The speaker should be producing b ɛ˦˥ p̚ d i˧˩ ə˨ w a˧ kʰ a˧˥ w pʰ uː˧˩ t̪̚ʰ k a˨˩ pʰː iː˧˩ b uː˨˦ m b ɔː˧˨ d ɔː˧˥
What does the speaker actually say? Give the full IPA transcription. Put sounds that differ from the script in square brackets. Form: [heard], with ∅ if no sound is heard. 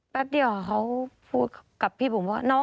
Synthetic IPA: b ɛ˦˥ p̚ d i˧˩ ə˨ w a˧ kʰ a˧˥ w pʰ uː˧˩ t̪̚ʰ k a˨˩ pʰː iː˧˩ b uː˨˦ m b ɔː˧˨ [n] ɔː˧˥

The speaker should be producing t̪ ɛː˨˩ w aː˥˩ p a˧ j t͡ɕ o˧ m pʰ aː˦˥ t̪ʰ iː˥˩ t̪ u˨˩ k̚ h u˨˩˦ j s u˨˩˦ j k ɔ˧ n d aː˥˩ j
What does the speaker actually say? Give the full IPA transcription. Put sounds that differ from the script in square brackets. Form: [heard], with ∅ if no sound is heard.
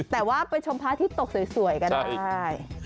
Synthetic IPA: t̪ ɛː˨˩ w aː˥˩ p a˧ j [t͡ɕʰ] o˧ m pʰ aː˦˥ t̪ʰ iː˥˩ t̪ [o˨˩] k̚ [s] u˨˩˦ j s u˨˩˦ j k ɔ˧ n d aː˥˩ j

